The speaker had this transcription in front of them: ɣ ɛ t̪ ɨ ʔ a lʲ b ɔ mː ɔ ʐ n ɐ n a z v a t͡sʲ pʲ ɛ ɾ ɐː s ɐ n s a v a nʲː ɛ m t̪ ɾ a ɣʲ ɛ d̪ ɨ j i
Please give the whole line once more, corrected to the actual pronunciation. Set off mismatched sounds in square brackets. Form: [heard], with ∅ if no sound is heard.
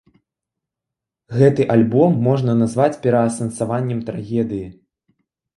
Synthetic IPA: ɣ ɛ t̪ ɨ ʔ a lʲ b ɔ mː ɔ ʐ n ɐ n a z v a t͡sʲ pʲ ɛ ɾ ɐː s ɐ n s a v a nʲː ɛ m t̪ ɾ a ɣʲ ɛ d̪ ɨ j i